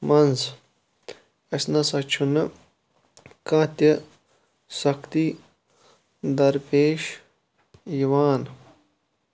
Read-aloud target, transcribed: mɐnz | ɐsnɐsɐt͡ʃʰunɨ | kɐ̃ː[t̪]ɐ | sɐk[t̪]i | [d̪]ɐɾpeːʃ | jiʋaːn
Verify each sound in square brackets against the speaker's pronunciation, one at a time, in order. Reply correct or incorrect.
correct, correct, correct

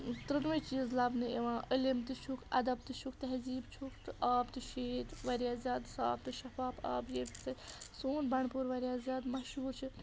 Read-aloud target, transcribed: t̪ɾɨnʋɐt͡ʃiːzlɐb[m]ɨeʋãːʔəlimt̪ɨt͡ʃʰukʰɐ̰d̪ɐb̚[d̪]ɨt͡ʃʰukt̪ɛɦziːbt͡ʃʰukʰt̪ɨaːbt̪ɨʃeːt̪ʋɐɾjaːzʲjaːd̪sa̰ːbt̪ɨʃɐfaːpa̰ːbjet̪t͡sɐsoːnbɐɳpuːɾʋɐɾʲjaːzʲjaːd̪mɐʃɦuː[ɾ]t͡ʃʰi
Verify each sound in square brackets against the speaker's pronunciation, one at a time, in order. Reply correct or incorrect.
incorrect, incorrect, correct

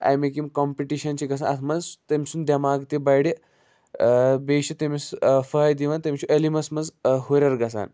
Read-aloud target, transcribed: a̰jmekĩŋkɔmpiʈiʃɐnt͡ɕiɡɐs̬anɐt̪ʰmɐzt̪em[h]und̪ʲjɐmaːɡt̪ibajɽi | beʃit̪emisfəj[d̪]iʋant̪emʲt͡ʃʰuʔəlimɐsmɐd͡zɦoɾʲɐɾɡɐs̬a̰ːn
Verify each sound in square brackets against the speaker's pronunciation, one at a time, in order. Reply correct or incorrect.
incorrect, correct

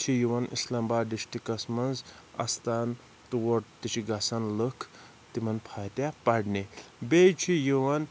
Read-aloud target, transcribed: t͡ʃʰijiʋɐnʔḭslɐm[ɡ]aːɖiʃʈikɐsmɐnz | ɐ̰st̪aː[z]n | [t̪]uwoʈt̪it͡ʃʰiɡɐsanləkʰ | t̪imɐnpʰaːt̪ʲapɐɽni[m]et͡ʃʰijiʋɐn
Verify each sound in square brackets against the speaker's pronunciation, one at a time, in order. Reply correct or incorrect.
incorrect, incorrect, correct, incorrect

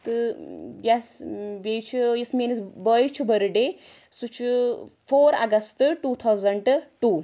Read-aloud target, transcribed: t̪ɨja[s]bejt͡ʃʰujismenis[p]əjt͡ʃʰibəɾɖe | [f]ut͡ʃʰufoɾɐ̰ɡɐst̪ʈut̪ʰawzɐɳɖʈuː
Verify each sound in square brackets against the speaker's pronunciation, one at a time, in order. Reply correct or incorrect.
correct, incorrect, incorrect

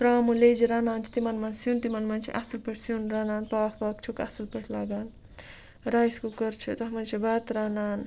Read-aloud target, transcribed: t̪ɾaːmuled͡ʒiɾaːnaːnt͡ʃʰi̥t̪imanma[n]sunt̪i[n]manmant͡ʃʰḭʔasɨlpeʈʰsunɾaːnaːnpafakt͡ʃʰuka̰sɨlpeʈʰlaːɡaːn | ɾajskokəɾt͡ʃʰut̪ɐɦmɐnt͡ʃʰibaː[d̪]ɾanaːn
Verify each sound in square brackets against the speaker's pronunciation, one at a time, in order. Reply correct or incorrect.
correct, incorrect, incorrect

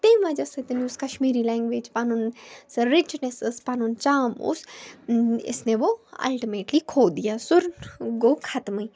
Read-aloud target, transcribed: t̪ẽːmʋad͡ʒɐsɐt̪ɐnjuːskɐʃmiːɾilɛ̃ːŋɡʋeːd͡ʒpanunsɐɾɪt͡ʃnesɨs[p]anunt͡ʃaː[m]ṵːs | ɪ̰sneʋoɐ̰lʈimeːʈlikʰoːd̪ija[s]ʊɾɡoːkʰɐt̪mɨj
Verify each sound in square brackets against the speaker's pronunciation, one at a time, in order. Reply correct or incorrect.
correct, correct, correct

